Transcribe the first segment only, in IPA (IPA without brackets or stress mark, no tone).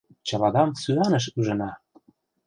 t͡ɕ